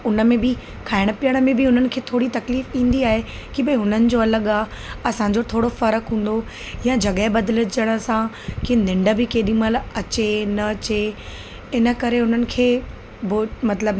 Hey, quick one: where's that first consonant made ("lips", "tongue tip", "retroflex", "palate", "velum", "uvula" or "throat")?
tongue tip